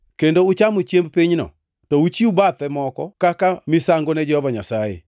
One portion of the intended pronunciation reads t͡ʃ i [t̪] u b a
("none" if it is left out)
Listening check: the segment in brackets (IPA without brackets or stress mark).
none